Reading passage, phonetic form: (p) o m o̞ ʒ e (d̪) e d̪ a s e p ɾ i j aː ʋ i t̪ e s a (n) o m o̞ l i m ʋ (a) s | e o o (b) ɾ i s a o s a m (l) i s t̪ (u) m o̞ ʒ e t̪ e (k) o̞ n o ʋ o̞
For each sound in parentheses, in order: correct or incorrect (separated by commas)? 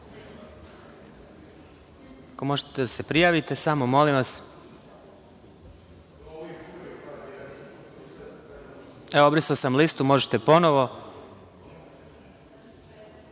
incorrect, incorrect, incorrect, correct, correct, correct, correct, incorrect